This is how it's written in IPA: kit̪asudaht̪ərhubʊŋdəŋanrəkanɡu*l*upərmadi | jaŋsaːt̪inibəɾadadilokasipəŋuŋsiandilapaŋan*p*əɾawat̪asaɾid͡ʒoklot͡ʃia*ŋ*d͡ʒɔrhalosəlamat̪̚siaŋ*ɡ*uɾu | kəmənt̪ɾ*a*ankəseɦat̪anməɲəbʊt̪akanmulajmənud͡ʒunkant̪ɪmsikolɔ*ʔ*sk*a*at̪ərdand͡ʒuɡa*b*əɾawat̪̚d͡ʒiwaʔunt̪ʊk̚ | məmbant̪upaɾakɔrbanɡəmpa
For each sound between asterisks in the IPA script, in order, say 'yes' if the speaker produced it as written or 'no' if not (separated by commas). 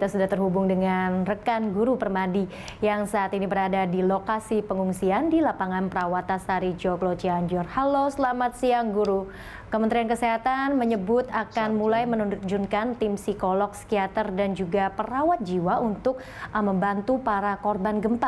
no, yes, no, yes, no, no, no, no